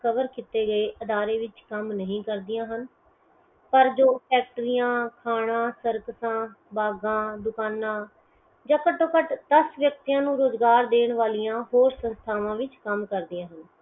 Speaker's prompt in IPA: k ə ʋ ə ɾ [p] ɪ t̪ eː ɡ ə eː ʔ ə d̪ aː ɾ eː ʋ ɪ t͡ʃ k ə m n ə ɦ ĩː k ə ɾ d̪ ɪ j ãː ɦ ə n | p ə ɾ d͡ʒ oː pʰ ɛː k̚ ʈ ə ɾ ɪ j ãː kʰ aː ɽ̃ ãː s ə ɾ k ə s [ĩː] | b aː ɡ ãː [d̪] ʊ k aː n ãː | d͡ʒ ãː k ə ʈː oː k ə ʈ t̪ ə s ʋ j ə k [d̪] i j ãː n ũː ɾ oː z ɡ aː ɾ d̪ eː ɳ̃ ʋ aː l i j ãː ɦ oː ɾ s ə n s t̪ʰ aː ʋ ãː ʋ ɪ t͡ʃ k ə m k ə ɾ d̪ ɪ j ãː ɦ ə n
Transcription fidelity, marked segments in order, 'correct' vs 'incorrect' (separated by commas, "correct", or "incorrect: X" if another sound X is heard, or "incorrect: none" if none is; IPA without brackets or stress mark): incorrect: k, incorrect: ãː, correct, incorrect: t̪